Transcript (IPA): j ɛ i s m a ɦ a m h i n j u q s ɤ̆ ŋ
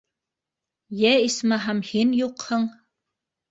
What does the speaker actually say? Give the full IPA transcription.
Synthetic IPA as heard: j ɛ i s m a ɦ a m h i n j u q h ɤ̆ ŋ